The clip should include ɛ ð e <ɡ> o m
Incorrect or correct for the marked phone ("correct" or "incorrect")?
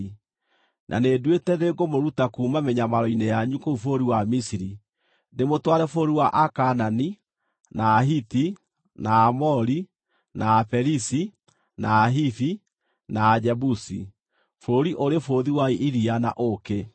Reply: correct